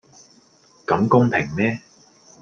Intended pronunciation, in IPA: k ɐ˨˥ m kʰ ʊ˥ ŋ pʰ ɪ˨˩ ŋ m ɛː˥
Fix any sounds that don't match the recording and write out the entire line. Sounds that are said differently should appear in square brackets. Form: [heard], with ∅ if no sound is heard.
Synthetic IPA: k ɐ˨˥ m [k] ʊ˥ ŋ pʰ ɪ˨˩ ŋ m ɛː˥